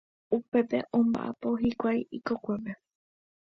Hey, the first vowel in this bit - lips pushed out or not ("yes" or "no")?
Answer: yes